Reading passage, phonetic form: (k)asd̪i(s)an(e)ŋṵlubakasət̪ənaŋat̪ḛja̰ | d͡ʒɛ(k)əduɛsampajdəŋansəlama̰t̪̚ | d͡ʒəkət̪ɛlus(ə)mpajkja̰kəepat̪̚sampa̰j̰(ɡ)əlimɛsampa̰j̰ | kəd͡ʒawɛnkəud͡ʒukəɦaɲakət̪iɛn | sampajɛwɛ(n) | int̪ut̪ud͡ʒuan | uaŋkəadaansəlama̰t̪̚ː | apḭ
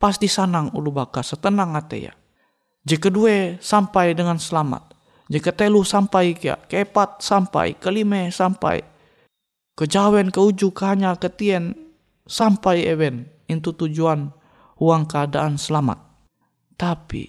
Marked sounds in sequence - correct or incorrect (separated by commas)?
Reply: incorrect, correct, incorrect, correct, incorrect, incorrect, correct